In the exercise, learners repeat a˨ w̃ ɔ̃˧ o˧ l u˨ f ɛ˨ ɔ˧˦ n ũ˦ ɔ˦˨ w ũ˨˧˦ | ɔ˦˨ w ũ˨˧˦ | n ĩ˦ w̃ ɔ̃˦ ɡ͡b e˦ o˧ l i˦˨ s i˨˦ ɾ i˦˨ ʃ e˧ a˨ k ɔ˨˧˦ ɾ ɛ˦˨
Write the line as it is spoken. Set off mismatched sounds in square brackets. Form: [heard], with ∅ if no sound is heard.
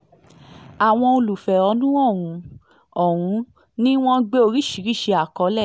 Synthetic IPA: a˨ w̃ ɔ̃˧ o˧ l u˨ f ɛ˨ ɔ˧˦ n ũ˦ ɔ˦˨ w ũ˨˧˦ | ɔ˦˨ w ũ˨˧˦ | n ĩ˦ w̃ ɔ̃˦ ɡ͡b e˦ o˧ [ɾ] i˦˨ [ʃ] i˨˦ ɾ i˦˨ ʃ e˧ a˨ k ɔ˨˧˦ [l] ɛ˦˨